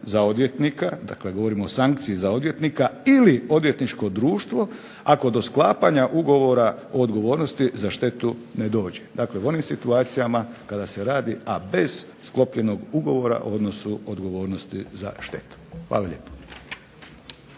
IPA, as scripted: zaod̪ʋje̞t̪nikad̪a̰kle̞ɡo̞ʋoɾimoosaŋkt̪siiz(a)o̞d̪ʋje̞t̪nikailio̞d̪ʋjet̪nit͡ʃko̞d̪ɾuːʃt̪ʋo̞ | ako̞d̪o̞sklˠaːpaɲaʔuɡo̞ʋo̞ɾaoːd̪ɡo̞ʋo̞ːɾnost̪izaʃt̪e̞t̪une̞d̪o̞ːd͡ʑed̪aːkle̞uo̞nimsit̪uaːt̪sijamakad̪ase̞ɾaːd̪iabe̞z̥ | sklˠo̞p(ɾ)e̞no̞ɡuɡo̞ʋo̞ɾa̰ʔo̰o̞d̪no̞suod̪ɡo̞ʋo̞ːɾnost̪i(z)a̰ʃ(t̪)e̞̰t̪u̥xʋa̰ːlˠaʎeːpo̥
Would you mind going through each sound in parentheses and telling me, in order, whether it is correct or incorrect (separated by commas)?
correct, incorrect, correct, correct